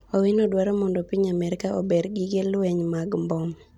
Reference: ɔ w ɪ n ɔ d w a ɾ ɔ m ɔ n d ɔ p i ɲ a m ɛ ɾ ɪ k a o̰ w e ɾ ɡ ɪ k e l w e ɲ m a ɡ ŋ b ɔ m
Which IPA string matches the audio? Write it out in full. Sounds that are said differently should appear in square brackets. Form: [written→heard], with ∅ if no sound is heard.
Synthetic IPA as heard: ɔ w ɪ n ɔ d w a ɾ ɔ m ɔ n d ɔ p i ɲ a m ɛ ɾ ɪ k a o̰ [w→b] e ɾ ɡ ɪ [k→ɡ] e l w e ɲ m a ɡ [ŋ→m] b ɔ m